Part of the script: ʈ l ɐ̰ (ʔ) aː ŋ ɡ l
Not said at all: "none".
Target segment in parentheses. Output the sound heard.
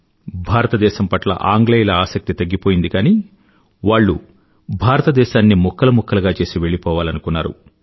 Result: ʔ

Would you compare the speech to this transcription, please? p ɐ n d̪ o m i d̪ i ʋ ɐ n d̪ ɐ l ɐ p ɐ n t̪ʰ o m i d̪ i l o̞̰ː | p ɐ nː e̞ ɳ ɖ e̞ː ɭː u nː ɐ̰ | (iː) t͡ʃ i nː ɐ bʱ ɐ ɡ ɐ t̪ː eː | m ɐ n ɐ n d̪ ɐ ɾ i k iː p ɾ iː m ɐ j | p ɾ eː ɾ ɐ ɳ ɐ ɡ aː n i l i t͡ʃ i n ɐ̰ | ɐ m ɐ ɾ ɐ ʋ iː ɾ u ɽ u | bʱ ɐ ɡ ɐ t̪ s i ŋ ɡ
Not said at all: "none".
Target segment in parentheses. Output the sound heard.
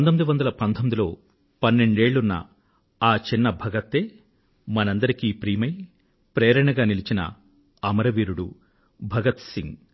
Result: aː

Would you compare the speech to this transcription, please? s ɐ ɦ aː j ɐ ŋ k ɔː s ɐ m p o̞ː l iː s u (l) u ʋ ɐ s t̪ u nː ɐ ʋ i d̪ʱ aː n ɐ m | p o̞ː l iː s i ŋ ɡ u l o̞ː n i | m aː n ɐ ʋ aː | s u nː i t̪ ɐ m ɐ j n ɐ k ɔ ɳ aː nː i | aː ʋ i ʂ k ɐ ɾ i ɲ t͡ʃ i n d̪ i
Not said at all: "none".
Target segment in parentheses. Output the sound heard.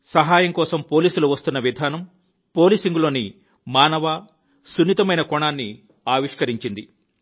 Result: l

